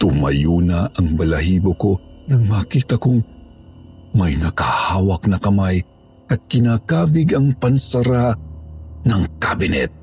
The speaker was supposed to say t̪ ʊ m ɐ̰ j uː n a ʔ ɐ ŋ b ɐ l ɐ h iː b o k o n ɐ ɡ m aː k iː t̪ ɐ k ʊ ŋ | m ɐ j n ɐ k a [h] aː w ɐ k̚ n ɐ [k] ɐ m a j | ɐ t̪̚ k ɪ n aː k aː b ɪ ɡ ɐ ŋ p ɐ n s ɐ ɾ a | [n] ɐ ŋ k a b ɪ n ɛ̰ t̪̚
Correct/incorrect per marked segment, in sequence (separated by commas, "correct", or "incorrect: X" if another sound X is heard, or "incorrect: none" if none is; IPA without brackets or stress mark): correct, correct, correct